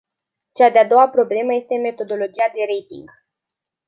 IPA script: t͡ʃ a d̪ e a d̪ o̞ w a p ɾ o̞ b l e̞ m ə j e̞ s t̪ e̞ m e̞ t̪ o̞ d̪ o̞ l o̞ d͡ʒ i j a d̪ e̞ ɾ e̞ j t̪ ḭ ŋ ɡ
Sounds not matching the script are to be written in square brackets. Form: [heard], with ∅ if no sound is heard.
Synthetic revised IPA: t͡ʃ a d̪ e a d̪ o̞ w a p ɾ o̞ b l e̞ m ə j e̞ s t̪ e̞ m e̞ t̪ o̞ d̪ o̞ l o̞ d͡ʒ i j a d̪ e̞ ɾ e̞ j t̪ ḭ ŋ ɡ